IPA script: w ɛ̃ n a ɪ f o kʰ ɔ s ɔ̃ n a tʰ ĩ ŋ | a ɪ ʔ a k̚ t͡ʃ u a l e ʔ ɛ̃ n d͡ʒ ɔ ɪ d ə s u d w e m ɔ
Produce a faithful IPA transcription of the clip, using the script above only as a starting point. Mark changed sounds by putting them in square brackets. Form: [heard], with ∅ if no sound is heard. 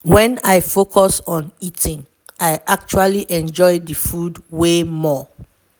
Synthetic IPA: w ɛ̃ n a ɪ f o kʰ ɔ s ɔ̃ n [i] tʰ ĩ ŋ | a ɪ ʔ a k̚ t͡ʃ u a l [i] ʔ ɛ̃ n d͡ʒ ɔ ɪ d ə [f] u d w e m ɔ